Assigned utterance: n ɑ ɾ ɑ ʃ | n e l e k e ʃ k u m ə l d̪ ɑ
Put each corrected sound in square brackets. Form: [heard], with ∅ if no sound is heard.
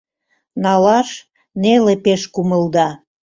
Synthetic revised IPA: n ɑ [l] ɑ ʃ | n e l e [p] e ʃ k u m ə l d̪ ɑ